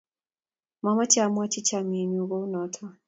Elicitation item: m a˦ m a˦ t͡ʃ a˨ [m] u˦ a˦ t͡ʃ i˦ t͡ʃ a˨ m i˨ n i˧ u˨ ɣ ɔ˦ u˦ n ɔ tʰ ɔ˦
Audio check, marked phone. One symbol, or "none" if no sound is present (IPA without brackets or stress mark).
m